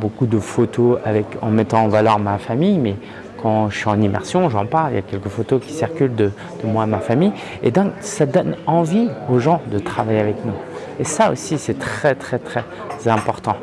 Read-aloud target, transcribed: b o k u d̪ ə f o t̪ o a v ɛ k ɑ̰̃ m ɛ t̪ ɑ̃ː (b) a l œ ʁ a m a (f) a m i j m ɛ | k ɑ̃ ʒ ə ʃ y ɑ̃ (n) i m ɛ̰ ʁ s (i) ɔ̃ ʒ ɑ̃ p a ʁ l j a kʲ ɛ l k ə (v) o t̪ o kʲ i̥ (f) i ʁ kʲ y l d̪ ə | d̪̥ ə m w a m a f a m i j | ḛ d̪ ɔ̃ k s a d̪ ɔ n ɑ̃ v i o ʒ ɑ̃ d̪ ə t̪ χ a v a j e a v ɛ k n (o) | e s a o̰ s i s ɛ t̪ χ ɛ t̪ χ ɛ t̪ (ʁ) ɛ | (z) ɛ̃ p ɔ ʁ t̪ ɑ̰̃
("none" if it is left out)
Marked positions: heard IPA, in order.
v, f, n, j, f, s, u, χ, z

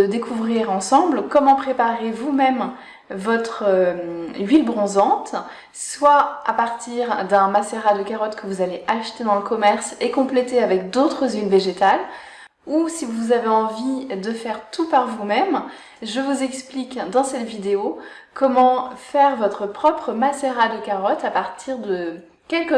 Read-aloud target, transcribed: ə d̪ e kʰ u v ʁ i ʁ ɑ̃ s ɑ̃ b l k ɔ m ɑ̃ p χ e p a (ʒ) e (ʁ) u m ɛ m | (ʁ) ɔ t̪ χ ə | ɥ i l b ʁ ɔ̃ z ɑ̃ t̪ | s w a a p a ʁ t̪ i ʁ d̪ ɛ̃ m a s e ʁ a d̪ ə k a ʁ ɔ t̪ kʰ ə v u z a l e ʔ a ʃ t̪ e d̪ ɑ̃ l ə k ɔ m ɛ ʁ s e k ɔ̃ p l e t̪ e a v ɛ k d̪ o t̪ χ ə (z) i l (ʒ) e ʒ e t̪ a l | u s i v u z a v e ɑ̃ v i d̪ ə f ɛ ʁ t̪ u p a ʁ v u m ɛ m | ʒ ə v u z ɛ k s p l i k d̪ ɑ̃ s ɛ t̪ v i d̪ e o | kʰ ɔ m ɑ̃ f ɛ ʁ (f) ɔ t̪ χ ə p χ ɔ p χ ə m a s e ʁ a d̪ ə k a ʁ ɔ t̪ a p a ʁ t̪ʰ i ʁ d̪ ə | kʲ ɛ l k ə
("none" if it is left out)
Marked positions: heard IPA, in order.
ʁ, v, v, z, v, v

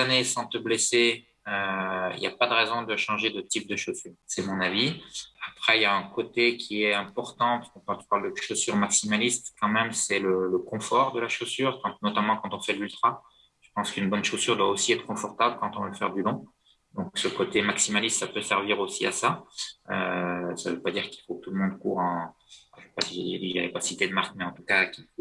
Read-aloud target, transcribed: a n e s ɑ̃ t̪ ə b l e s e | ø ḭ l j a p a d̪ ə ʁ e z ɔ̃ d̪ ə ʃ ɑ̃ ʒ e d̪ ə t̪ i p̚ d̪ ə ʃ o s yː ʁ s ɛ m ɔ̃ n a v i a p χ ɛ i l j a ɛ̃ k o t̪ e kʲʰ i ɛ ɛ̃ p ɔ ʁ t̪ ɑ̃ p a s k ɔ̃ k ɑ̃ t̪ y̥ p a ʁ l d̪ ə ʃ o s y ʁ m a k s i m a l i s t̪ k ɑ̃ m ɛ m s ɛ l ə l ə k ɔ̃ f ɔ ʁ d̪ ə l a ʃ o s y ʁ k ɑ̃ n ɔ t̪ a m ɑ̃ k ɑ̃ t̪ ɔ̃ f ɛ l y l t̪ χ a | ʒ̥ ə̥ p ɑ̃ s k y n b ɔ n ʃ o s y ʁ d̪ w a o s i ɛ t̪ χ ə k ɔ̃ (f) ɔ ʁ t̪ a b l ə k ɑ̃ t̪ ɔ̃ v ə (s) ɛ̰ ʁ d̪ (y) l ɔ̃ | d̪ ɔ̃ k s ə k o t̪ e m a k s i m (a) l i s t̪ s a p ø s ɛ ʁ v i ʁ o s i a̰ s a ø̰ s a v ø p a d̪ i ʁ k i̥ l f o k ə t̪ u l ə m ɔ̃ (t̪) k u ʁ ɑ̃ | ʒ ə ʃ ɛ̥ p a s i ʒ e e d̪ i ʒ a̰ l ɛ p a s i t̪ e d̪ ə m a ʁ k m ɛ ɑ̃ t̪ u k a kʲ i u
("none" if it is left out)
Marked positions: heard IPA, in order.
f, f, y, a, d̪

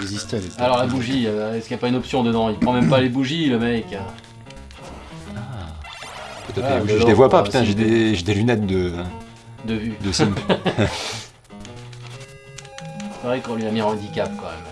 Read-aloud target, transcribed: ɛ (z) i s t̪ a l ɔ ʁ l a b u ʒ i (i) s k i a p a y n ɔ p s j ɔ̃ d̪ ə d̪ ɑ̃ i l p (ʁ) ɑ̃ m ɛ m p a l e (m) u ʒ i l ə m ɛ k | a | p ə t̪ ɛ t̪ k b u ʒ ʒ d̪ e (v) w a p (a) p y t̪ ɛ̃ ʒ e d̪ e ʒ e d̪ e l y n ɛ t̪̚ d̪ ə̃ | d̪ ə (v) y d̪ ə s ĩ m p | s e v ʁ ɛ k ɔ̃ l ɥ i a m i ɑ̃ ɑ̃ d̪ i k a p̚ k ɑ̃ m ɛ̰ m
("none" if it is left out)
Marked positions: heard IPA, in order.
z, ɛ, χ, b, v, a, v

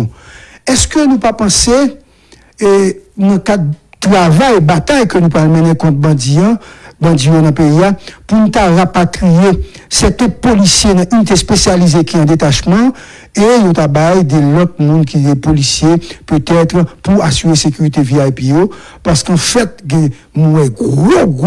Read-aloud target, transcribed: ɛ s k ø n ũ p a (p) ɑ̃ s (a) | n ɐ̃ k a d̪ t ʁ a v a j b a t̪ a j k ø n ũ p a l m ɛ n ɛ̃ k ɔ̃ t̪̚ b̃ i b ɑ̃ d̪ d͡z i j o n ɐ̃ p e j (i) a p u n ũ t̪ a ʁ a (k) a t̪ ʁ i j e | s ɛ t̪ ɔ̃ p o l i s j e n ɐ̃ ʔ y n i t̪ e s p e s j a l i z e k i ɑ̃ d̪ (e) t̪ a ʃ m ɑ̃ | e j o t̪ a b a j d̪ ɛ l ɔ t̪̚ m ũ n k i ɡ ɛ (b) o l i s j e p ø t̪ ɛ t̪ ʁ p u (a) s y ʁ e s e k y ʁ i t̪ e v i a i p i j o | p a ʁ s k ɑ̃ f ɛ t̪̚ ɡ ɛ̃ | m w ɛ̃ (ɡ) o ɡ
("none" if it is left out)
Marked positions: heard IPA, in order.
p, e, i, p, e, p, a, ɡ

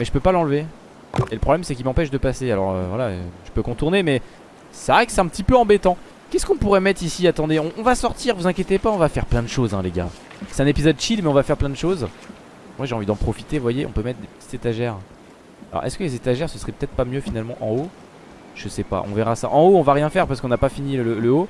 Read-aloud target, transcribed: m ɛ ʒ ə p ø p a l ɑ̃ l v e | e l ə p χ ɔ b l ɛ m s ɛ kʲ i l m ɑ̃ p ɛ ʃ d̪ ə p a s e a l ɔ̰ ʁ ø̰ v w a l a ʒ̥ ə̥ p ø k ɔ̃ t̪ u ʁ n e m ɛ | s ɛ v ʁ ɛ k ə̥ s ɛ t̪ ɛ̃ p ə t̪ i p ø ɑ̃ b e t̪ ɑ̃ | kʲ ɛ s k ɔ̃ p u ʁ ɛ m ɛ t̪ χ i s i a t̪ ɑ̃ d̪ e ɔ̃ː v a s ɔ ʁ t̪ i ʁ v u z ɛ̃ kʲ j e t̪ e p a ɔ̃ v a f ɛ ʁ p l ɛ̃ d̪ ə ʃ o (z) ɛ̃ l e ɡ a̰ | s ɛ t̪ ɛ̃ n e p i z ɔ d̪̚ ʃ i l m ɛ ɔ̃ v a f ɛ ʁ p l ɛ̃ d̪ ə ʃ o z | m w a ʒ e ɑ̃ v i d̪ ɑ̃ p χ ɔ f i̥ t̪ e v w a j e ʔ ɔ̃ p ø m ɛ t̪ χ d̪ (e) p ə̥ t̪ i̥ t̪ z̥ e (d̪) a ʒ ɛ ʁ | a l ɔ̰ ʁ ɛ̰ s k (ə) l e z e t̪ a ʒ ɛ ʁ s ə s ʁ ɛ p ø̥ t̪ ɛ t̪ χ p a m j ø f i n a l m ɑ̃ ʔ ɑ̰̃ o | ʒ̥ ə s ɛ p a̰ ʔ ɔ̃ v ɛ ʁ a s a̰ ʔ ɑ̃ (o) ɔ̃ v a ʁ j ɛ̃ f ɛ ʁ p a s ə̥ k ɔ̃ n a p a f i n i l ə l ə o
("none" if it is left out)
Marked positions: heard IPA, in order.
z, e, t̪, ə, o

